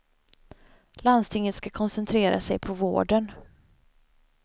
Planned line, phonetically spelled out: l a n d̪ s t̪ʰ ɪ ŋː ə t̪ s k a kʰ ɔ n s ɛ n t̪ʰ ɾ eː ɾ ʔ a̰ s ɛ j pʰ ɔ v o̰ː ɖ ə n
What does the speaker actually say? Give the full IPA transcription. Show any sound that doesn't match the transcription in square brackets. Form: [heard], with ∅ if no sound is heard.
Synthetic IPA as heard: l a n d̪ s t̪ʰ ɪ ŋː ə t̪ s k a kʰ ɔ n s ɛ n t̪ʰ ɾ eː ɾ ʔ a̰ s ɛ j pʰ ɔ v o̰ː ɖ ə n

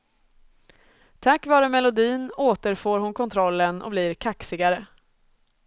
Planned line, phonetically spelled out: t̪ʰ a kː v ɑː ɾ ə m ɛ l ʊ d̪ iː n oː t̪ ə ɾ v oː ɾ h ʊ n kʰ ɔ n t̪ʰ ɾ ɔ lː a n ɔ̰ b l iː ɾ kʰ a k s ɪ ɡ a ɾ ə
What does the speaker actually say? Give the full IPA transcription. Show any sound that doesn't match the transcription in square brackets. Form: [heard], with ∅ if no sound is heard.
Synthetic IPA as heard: t̪ʰ a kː v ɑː ɾ ə m ɛ l ʊ d̪ iː n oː t̪ ə ɾ [f] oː ɾ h ʊ n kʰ ɔ n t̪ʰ ɾ ɔ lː [ə] n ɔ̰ b l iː ɾ kʰ a k s ɪ ɡ a ɾ ə

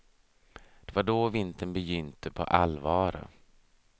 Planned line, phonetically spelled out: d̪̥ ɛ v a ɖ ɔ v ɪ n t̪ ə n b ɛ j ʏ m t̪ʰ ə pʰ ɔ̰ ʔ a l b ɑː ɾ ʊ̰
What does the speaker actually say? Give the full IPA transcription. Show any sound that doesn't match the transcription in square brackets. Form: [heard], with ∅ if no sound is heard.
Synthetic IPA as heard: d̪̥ ɛ v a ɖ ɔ v ɪ n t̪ ə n b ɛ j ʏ [n] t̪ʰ ə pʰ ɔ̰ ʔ a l [v] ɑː ɾ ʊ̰

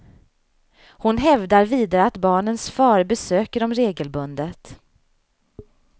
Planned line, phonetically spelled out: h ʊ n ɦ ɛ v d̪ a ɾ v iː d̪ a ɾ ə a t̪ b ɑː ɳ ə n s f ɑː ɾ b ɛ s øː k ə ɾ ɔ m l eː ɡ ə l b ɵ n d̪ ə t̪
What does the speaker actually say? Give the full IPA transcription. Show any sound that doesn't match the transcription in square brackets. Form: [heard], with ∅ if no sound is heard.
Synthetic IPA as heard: h ʊ n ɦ ɛ v d̪ a ɾ v iː d̪ a ɾ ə a t̪ b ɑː ɳ ə n s f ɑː ɾ b ɛ s øː k ə ɾ ɔ m [ɾ] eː ɡ ə l b ɵ n d̪ ə t̪

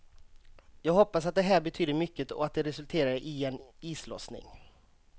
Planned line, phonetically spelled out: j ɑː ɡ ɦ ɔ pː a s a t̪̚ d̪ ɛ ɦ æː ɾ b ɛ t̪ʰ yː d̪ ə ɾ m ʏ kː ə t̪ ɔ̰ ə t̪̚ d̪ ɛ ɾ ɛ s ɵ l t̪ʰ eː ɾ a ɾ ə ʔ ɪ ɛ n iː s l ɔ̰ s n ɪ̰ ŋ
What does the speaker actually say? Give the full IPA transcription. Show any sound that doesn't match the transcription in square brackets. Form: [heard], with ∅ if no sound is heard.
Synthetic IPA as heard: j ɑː ɡ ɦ ɔ pː a s a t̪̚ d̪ ɛ ɦ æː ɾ b ɛ t̪ʰ yː d̪ ə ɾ m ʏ kː ə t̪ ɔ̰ [a] t̪̚ d̪ ɛ ɾ ɛ s ɵ l t̪ʰ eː ɾ a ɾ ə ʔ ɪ ɛ n iː s l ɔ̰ s n ɪ̰ ŋ

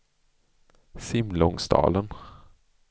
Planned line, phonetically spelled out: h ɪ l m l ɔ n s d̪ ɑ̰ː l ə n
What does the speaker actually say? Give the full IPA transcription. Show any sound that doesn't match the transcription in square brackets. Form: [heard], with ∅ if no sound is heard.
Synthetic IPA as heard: [s] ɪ [∅] m l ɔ [ŋ] s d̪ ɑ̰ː l ə n

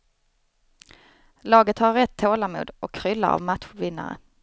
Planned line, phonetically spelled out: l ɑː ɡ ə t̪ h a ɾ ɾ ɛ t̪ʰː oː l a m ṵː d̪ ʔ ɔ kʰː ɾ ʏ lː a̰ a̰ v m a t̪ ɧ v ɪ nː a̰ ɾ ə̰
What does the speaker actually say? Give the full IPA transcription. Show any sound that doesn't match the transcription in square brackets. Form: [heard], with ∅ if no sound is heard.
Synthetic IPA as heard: l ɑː ɡ ə t̪ h a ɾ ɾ ɛ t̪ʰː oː l a m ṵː d̪ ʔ ɔ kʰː ɾ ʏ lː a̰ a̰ v m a t̪ ɧ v ɪ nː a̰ ɾ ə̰

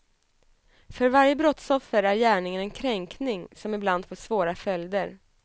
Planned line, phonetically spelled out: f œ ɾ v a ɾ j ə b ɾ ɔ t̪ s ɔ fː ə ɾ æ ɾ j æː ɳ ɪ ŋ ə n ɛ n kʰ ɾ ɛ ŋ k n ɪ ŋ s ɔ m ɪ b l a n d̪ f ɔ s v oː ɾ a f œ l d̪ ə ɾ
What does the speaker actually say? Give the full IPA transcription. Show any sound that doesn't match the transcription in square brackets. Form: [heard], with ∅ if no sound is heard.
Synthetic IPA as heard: f œ ɾ v a ɾ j ə b ɾ ɔ t̪ s ɔ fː ə ɾ æ ɾ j æː ɳ ɪ ŋ ə n ɛ n kʰ ɾ ɛ ŋ k n ɪ ŋ s ɔ m ɪ b l a n d̪ f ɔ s v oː ɾ a f œ l d̪ ə ɾ

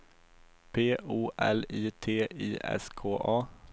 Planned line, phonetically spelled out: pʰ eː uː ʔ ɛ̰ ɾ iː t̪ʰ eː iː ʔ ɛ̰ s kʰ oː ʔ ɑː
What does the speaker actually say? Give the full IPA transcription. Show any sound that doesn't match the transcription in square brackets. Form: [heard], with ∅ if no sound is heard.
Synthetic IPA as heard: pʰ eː uː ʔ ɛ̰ [l] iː t̪ʰ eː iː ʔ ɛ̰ s kʰ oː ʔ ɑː

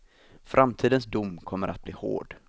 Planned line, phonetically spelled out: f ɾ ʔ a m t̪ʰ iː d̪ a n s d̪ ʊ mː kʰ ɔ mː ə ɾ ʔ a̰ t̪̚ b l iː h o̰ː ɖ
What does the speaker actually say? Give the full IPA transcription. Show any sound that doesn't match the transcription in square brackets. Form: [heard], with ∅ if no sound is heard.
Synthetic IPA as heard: f ɾ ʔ a m t̪ʰ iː d̪ [ə] n s d̪ ʊ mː kʰ ɔ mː ə ɾ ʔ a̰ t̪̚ b l iː h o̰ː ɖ

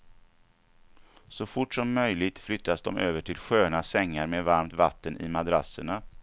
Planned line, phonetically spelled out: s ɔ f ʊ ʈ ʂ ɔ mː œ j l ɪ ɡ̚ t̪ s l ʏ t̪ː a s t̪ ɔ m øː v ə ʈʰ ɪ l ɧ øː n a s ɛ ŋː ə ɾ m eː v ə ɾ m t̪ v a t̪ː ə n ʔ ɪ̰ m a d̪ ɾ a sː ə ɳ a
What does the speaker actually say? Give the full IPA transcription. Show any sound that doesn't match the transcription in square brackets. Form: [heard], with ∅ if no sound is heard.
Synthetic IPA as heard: s ɔ f ʊ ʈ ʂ ɔ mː œ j l ɪ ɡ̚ t̪ [f] l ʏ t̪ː a s [d̪] ɔ m øː v ə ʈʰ ɪ l ɧ øː n a s ɛ ŋː [a] ɾ m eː v [a] ɾ m t̪ v a t̪ː ə n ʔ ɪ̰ m a d̪ ɾ a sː ə ɳ a

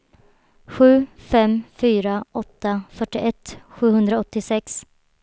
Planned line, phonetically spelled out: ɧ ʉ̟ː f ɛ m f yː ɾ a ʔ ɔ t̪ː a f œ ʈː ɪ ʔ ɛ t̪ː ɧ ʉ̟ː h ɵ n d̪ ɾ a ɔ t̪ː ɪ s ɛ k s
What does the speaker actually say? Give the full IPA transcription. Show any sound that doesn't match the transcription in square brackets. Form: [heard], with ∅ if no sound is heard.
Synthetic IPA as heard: ɧ ʉ̟ː f ɛ m f yː ɾ a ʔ ɔ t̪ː a f œ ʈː ɪ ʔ ɛ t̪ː ɧ ʉ̟ː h ɵ n d̪ ɾ a ɔ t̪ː ɪ s ɛ k s

